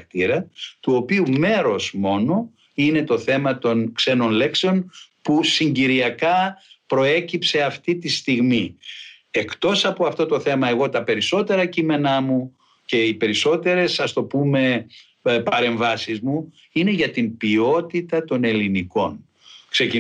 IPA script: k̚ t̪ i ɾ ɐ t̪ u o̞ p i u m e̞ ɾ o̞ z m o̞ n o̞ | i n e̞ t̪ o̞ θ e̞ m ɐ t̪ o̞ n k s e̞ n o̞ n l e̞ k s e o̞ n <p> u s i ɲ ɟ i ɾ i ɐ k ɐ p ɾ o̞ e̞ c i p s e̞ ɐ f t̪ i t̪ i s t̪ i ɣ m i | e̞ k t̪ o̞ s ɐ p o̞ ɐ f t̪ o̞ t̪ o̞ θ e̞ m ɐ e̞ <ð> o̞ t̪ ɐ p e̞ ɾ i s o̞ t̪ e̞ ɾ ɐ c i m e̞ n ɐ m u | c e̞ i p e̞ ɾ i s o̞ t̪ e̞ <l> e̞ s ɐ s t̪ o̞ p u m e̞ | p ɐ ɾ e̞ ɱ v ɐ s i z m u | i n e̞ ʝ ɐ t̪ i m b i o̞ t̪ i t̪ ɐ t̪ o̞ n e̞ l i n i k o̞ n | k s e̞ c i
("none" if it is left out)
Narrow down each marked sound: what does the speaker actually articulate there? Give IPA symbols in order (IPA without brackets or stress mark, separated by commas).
p, ɣ, ɾ